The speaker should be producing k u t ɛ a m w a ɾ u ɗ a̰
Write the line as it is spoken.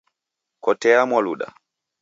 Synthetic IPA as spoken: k ɔ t ɛ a m w a l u ɗ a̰